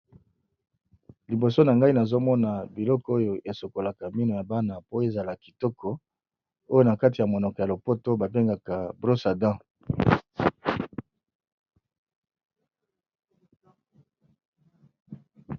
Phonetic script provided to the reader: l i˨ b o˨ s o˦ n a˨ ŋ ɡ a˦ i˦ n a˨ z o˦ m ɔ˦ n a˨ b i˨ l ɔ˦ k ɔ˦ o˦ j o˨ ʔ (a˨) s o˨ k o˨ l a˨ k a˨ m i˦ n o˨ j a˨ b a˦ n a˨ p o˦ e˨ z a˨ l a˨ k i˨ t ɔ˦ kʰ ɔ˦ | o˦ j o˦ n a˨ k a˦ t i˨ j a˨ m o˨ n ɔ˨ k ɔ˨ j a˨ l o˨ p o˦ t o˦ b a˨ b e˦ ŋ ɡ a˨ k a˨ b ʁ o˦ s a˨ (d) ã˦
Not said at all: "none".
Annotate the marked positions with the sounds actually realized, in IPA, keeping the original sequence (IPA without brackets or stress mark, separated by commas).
e˨, d